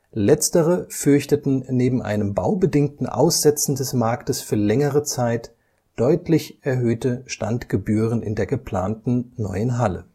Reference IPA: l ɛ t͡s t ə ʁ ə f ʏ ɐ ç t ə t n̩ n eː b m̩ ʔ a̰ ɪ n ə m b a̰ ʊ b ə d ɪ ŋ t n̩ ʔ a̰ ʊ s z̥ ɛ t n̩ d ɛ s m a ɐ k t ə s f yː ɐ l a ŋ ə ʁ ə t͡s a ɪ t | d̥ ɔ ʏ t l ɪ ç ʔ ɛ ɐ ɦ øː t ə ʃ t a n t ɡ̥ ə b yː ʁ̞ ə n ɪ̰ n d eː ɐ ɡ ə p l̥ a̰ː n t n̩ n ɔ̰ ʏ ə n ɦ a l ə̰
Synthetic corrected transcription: l ɛ t͡s t ə ʁ ə f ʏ ɐ ç t ə t n̩ n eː b m̩ ʔ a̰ ɪ n ə m b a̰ ʊ b ə d ɪ ŋ t n̩ ʔ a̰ ʊ s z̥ ɛ t͡s n̩ d ɛ s m a ɐ k t ə s f yː ɐ l ɛ ŋ ə ʁ ə t͡s a ɪ t | d̥ ɔ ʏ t l ɪ ç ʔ ɛ ɐ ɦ øː t ə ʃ t a n t ɡ̥ ə b yː ʁ̞ ə n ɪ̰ n d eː ɐ ɡ ə p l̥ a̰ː n t n̩ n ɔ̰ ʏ ə n ɦ a l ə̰